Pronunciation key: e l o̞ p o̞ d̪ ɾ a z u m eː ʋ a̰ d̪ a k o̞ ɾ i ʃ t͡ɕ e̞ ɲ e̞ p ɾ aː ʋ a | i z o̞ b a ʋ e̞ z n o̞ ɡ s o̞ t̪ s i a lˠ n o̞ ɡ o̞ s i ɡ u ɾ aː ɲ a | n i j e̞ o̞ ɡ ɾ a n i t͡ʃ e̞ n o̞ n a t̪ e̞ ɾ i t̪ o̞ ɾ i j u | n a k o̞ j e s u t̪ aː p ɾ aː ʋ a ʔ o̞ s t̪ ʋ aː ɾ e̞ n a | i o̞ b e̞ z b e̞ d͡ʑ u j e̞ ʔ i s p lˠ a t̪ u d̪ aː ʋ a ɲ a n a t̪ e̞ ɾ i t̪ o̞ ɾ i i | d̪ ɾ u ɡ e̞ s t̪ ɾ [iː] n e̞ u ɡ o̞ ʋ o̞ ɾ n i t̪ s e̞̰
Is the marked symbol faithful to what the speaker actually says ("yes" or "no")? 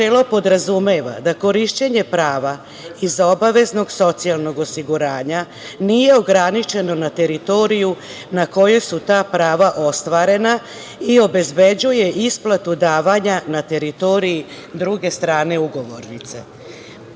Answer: no